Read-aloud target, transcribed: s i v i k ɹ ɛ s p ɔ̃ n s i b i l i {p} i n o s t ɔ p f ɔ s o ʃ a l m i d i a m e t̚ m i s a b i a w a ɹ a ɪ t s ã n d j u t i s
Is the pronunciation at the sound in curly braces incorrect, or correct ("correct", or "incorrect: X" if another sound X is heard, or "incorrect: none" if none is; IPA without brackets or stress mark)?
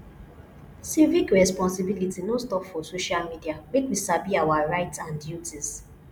incorrect: t